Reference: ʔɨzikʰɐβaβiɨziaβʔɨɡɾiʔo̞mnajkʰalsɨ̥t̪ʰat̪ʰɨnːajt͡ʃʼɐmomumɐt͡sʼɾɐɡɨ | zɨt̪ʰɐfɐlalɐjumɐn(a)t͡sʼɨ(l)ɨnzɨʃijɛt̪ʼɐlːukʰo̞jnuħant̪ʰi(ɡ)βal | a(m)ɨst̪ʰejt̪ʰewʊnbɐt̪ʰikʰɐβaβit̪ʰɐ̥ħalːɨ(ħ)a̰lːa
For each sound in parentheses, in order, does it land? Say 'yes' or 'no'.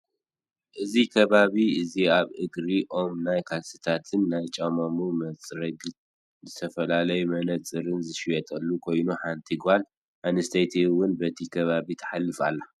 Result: no, no, yes, no, no

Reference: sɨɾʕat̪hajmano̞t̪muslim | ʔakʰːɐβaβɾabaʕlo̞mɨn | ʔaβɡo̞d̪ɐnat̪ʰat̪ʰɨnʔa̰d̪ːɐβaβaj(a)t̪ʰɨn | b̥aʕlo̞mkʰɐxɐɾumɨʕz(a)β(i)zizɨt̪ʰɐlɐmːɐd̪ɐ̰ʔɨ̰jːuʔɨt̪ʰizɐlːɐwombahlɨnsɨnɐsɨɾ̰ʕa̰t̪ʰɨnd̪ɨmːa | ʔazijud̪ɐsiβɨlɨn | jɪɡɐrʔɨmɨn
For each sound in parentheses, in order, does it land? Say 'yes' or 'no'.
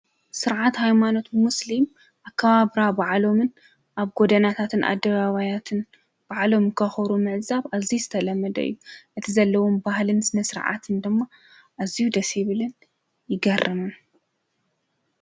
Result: yes, yes, no

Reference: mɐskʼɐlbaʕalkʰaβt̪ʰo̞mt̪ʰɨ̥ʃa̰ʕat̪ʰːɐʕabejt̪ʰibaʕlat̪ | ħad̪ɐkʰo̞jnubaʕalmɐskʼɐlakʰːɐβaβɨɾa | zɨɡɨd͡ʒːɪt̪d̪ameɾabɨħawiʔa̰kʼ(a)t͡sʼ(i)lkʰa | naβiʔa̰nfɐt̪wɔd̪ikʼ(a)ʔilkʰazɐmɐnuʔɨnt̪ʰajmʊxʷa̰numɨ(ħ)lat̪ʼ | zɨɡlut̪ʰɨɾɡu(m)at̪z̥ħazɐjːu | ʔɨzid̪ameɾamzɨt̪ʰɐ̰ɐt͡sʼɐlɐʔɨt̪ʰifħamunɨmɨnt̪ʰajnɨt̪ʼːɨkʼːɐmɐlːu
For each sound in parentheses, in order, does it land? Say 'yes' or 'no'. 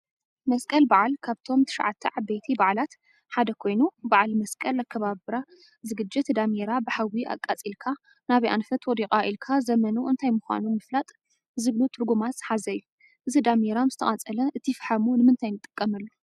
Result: yes, yes, yes, no, yes

